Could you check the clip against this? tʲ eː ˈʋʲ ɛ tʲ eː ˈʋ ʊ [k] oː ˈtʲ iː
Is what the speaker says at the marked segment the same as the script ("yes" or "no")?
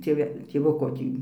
yes